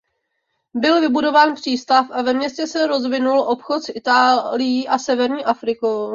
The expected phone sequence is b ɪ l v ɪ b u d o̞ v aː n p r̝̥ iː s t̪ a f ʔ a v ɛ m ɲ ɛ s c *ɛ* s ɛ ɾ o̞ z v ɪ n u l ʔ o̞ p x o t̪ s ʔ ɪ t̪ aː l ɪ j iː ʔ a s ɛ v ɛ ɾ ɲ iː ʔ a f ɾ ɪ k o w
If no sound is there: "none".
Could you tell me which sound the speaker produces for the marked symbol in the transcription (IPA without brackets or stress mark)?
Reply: ɛ